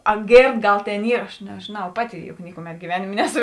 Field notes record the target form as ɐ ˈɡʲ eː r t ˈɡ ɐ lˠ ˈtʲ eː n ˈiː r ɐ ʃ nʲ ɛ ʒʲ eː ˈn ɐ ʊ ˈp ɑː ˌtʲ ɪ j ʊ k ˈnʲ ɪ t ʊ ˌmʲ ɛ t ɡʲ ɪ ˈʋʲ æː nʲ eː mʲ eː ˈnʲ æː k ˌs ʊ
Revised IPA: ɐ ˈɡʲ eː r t ˈɡ ɐ lˠ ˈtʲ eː n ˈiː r ɐ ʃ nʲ ɛ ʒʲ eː ˈn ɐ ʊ ˈp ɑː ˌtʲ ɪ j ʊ k ˈnʲ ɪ k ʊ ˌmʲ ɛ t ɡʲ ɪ ˈʋʲ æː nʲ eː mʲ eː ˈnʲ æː ˌs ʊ